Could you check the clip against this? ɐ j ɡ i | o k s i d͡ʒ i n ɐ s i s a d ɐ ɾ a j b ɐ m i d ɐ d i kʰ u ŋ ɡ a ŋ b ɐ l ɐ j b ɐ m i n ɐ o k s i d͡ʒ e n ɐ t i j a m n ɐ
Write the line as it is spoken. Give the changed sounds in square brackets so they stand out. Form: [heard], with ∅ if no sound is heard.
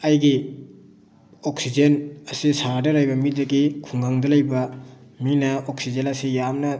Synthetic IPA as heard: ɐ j ɡ i | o k s i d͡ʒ [e] n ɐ s i s a d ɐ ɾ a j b ɐ m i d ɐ [ɡ] i kʰ u ŋ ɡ a ŋ [d] ɐ l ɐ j b ɐ m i n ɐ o k s i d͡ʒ e n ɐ [s] i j a m n ɐ